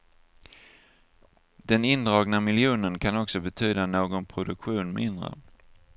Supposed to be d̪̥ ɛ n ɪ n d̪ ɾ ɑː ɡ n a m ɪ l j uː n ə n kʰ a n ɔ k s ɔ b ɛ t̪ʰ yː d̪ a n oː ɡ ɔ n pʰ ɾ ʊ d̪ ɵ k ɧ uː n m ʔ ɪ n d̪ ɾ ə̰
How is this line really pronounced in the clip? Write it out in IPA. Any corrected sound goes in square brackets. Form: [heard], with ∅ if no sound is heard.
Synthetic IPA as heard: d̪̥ ɛ n ɪ n d̪ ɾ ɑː ɡ n a m ɪ l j uː n ə n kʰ a n ɔ k s ɔ b ɛ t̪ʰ yː d̪ a n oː ɡ ɔ n pʰ ɾ ʊ d̪ ɵ k ɧ uː n m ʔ ɪ n d̪ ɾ ə̰